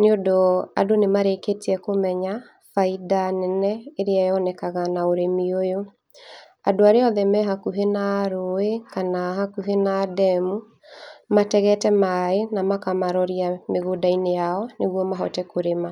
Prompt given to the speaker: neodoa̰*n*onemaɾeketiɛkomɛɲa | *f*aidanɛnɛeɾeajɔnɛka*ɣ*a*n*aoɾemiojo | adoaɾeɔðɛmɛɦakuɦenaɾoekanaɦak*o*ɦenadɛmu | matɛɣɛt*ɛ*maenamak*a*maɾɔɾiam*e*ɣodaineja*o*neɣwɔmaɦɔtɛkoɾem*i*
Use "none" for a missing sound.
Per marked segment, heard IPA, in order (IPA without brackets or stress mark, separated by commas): d, f, ɣ, n, u, ɛ, a, e, ɔ, a